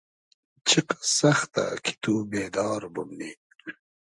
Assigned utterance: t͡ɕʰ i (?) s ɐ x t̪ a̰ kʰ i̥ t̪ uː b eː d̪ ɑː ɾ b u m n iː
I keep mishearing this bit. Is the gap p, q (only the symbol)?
q